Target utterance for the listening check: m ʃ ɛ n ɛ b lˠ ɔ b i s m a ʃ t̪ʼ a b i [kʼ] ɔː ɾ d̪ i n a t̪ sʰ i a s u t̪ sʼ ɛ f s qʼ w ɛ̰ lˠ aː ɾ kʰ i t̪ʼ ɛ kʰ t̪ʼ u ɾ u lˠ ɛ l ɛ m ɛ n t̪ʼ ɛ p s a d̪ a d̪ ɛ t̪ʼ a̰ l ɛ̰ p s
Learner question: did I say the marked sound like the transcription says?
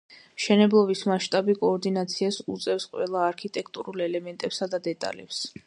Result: yes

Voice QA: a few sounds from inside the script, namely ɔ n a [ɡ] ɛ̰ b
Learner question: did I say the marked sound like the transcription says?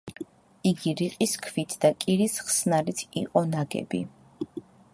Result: yes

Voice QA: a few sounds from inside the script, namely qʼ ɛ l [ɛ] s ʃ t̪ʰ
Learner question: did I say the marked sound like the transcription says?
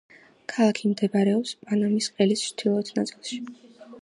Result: no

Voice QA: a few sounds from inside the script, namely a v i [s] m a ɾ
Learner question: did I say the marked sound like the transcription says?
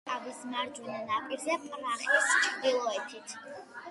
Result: yes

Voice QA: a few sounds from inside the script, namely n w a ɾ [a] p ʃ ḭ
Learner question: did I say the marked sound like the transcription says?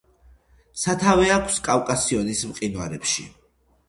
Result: no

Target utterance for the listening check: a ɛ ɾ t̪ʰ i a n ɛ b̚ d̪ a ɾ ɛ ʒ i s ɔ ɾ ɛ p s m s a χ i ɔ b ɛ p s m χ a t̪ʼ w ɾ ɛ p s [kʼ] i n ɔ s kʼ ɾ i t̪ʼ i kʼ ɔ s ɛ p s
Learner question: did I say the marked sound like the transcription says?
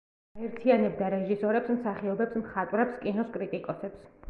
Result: yes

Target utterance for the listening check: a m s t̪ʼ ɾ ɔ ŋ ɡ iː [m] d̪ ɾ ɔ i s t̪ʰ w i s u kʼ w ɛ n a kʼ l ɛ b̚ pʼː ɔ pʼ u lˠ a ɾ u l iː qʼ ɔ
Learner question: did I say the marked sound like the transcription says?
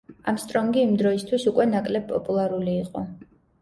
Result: yes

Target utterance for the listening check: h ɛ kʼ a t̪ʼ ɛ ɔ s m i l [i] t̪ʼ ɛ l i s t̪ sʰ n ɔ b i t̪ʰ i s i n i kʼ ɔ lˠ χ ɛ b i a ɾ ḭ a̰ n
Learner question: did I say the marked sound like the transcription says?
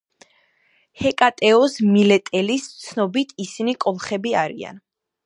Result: no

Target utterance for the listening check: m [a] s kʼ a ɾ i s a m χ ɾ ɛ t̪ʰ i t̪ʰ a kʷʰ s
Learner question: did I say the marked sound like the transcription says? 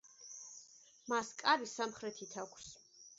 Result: yes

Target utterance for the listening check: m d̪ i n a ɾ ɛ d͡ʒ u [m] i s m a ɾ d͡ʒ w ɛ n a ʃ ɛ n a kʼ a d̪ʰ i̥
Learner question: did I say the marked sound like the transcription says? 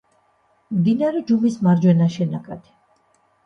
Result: yes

